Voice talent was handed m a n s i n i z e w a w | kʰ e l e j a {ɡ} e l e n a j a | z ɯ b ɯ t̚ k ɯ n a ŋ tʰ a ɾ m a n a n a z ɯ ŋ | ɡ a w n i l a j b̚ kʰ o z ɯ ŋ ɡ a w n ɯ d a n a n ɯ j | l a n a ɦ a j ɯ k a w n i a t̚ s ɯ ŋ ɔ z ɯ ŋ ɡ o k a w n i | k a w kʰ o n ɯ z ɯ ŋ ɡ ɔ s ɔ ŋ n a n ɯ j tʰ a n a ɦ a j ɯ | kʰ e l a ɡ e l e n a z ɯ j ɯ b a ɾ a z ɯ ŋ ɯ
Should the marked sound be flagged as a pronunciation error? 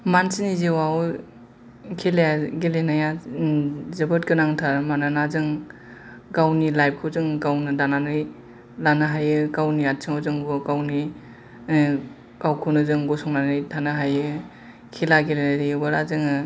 no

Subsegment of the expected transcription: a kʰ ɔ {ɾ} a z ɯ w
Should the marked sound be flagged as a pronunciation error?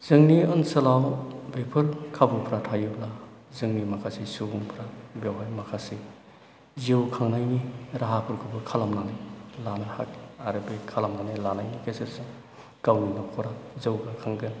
no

